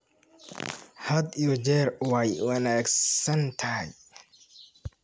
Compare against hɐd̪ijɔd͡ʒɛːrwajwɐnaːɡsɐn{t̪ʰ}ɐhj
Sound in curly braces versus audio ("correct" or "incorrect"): correct